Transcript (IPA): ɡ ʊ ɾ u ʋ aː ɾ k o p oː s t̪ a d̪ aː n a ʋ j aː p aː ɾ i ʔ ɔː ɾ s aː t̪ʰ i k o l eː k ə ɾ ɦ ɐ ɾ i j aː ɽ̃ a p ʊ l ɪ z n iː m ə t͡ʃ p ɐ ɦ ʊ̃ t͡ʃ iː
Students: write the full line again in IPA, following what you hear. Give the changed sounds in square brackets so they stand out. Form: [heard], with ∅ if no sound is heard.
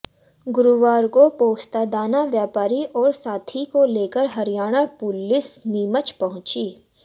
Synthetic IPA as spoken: ɡ ʊ ɾ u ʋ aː ɾ k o p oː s t̪ a d̪ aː n a ʋ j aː p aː ɾ i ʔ ɔː ɾ s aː t̪ʰ i k o l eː k ə ɾ ɦ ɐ ɾ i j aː ɽ̃ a p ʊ l ɪ [s] n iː m ə t͡ʃ p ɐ ɦ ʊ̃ t͡ʃ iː